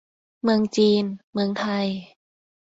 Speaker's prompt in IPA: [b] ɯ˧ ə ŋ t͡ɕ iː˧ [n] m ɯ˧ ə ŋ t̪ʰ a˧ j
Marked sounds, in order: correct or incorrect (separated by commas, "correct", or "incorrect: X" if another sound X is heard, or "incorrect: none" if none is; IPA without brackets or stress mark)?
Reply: incorrect: m, correct